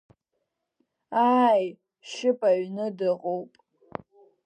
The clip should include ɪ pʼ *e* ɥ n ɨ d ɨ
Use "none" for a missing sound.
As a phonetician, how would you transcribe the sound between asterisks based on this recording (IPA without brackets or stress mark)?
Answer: a